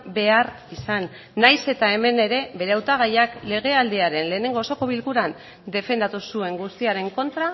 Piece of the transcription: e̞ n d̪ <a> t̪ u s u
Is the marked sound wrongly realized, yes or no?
no